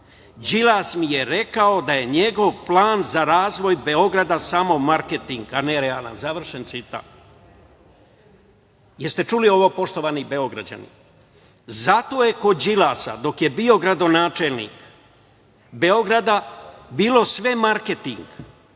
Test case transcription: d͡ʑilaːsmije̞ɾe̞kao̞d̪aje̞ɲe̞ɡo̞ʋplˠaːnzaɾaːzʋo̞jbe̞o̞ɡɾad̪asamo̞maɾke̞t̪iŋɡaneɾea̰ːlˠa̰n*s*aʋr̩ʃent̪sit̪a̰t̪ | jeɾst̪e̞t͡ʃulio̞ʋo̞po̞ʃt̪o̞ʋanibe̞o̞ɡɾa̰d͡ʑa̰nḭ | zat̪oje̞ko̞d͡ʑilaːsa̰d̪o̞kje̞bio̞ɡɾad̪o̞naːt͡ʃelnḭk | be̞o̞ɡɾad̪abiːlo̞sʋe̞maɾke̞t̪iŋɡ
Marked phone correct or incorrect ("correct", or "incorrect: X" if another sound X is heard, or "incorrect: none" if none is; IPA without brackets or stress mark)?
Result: incorrect: z